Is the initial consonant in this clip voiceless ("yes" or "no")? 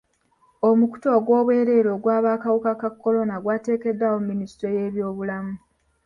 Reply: no